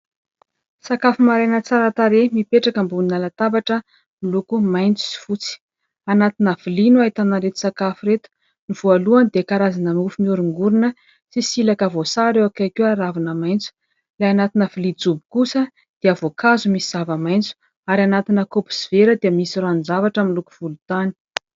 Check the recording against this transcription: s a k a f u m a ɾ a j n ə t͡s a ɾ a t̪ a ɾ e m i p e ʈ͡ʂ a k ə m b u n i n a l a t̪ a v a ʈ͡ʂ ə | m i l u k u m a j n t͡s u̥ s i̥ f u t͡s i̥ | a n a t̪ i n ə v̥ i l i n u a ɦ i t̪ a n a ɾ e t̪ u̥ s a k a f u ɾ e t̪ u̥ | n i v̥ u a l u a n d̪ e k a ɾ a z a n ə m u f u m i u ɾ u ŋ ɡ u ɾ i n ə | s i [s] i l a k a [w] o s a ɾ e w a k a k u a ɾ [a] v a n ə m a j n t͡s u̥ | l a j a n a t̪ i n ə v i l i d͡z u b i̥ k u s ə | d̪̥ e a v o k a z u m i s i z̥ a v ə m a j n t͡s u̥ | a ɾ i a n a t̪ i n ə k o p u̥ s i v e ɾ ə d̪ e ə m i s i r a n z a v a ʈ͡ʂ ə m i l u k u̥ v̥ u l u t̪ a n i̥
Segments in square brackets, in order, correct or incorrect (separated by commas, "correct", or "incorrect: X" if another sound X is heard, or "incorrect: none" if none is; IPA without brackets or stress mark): correct, incorrect: v, correct